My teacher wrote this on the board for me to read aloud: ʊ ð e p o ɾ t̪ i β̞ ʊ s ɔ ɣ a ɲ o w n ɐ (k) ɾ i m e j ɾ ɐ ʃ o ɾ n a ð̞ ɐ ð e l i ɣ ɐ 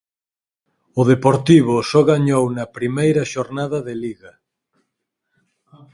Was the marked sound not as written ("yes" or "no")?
yes